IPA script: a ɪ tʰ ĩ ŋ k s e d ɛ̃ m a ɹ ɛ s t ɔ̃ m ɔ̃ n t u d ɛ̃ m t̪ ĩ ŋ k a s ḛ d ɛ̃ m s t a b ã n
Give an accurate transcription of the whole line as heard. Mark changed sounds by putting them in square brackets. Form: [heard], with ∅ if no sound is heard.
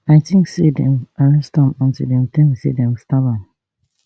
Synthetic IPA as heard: a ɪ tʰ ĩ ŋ k s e d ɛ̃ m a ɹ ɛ s t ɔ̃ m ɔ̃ n t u d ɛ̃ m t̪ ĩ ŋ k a s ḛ d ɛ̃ m s t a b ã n